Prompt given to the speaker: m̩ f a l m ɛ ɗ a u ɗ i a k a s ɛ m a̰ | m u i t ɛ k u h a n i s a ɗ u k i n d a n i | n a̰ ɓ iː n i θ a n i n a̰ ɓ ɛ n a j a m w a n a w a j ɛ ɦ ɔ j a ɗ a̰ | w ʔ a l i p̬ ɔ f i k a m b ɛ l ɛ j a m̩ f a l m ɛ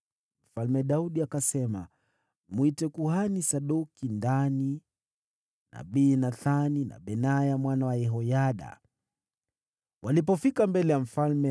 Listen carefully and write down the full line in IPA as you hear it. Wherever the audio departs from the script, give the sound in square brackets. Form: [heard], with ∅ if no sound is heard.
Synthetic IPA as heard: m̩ f a l m ɛ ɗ a u ɗ i a k a s ɛ m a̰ | m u i t ɛ k u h a n i s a ɗ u k i n d a n i | n a̰ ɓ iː n [a] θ a n i n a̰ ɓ ɛ n a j a m w a n a w a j ɛ ɦ ɔ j a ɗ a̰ | w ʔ a l i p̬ ɔ f i k a m b ɛ l ɛ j a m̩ f a l m ɛ